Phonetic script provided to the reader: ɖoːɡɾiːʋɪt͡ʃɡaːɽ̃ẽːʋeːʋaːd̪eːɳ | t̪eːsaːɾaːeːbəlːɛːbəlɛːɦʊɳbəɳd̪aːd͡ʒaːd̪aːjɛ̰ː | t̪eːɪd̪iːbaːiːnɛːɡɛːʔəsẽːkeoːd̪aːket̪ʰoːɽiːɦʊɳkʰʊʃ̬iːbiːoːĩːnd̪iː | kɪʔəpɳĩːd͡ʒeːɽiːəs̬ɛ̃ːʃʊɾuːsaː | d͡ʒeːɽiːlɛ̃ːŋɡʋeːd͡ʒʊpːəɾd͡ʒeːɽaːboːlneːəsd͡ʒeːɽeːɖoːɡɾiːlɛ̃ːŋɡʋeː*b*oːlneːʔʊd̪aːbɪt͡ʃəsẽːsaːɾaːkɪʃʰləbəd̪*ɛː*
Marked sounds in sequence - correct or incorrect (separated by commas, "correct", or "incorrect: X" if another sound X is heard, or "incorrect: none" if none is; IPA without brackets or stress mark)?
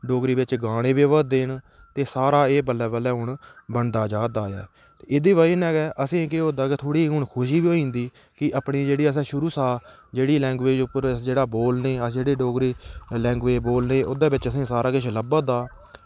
correct, incorrect: aː